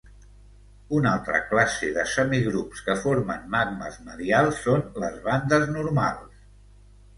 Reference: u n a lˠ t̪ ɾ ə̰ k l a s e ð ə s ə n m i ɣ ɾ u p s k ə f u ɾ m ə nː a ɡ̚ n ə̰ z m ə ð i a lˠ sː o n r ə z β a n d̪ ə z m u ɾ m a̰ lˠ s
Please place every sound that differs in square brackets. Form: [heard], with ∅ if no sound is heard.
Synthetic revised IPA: u n a lˠ t̪ ɾ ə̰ k l a s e ð ə s ə [∅] m i ɣ ɾ u p s k ə f [o] ɾ m ə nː a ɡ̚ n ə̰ z m ə ð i a lˠ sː o n [l] ə z β a n d̪ ə z [n] u ɾ m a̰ lˠ s